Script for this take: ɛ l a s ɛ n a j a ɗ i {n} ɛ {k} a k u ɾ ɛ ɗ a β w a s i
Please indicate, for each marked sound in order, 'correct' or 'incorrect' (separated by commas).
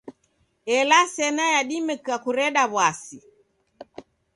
incorrect, correct